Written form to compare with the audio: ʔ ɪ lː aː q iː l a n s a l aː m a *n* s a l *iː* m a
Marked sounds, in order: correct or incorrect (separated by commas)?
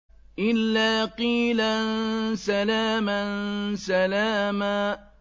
correct, incorrect